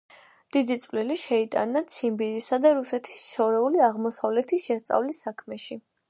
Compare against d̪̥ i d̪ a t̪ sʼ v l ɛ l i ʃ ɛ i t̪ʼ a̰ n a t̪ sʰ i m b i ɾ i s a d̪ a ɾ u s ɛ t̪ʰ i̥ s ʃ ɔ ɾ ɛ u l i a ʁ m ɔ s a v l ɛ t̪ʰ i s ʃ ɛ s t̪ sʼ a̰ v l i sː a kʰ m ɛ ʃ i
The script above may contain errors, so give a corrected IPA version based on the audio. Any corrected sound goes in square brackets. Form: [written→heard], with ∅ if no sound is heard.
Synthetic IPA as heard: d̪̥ i d̪ [a→i] t̪ sʼ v l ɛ l i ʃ ɛ i t̪ʼ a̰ n a t̪ sʰ i m b i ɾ i s a d̪ a ɾ u s ɛ t̪ʰ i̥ s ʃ ɔ ɾ ɛ u l i a ʁ m ɔ s a v l ɛ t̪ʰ i s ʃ ɛ s t̪ sʼ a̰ v l i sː a kʰ m ɛ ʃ i